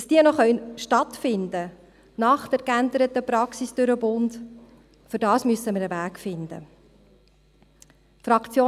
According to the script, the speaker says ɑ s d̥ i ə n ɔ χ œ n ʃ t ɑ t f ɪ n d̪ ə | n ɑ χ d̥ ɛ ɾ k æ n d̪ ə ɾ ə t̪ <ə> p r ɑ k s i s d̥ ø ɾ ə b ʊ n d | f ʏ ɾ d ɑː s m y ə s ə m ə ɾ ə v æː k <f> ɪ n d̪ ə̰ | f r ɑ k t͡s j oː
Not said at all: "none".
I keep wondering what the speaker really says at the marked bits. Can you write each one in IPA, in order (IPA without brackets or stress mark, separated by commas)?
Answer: ə, f